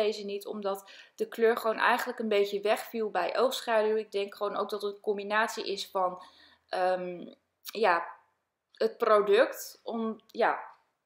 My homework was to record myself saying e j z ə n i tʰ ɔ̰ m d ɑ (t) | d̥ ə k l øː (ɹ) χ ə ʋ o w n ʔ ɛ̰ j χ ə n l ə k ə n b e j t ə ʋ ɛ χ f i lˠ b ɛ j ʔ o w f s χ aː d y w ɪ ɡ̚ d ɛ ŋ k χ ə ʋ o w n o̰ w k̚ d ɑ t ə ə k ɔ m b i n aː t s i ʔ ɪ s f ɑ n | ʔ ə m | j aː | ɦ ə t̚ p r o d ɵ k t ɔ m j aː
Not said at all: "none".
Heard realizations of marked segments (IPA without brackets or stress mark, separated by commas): t, ɹ